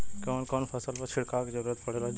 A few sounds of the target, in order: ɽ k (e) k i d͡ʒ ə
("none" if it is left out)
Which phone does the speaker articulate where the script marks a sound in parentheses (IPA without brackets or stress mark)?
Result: a